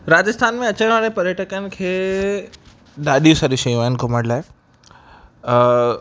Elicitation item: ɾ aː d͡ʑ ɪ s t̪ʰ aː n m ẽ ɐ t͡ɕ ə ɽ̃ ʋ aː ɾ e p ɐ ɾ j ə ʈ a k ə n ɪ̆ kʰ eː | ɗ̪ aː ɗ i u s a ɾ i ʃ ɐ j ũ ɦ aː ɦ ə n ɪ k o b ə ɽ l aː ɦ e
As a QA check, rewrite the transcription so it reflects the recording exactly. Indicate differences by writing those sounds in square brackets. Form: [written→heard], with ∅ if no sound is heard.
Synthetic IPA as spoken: ɾ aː d͡ʑ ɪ s t̪ʰ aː n m ẽ ɐ t͡ɕ ə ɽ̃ ʋ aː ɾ e p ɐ ɾ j ə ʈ [a→ə] k ə n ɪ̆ kʰ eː | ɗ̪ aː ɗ i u s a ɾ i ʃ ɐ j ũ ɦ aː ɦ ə n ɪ k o [b→m] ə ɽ l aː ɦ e